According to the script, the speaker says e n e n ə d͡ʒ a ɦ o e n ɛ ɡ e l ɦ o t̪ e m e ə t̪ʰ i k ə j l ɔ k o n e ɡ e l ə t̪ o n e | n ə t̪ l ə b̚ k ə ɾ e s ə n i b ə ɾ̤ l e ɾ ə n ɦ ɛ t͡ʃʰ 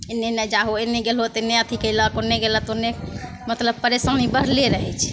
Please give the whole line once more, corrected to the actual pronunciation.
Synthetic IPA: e n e n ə d͡ʒ a ɦ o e n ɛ ɡ e l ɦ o t̪ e n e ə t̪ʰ i k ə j l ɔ k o n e ɡ e l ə t̪ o n e | m ə t̪ l ə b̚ p ə ɾ e s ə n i b ə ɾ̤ l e ɾ ə ɦ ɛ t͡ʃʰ